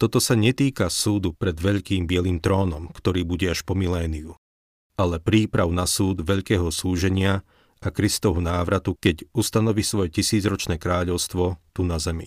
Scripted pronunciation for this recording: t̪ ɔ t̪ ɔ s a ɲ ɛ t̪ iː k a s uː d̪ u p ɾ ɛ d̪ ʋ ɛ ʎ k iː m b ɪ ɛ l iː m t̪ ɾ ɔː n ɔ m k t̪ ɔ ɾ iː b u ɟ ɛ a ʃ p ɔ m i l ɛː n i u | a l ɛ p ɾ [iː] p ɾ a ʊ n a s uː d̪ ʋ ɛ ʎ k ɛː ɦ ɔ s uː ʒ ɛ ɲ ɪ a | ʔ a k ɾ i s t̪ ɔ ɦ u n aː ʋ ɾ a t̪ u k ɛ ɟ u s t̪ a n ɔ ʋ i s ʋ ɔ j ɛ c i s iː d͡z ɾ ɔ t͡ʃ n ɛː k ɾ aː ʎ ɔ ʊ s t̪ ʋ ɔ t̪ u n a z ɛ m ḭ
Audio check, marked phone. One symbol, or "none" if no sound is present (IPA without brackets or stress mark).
iː